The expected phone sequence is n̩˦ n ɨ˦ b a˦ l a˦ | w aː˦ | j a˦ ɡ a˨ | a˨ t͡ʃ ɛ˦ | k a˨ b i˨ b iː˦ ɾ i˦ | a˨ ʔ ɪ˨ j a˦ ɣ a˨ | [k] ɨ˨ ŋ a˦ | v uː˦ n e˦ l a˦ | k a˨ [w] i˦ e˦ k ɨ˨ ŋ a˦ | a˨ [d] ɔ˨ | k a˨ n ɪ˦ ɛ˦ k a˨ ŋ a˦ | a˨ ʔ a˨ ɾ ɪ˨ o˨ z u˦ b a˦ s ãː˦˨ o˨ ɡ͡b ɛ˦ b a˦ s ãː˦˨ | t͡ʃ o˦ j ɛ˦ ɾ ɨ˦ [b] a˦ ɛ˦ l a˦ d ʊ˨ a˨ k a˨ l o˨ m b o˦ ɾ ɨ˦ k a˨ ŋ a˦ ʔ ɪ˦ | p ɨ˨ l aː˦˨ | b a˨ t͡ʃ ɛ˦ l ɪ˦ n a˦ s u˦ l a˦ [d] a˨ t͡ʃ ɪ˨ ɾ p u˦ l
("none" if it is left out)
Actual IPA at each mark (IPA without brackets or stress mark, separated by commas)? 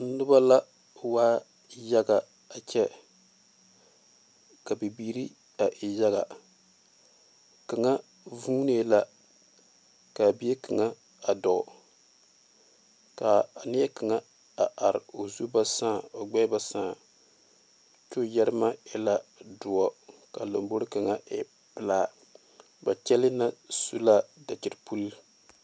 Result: k, b, d, m, d